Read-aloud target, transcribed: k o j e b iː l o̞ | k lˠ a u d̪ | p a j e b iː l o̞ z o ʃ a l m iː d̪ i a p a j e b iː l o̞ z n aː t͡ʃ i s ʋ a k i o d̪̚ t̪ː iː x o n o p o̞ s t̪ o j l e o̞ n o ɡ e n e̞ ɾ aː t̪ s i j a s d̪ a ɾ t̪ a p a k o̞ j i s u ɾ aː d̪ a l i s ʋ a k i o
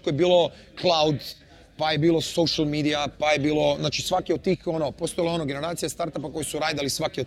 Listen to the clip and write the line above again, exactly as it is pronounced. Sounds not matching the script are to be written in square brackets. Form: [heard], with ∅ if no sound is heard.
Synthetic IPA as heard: k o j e b iː l o̞ | k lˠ a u d̪ | p a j e b iː l o̞ [s] o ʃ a l m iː d̪ i a p a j e b iː l o̞ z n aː t͡ʃ i s ʋ a k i o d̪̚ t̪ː iː x o n o p o̞ s t̪ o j l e o̞ n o ɡ e n e̞ ɾ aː t̪ s i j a s [t̪] a ɾ t̪ a p a k o̞ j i s u ɾ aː d̪ a l i s ʋ a k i o